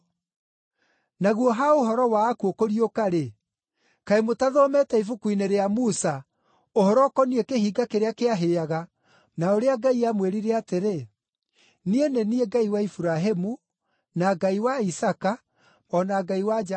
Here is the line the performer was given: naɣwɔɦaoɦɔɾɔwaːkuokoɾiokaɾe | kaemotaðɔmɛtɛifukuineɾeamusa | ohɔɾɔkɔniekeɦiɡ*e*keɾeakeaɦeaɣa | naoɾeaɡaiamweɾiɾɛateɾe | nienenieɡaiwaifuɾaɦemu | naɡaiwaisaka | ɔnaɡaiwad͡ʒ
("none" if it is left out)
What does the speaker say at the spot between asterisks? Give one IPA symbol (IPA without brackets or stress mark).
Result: a